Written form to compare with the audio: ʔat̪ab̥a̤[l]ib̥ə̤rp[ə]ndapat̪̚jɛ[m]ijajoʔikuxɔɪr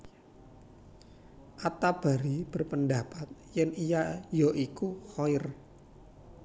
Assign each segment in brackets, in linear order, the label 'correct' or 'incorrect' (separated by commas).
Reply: incorrect, correct, incorrect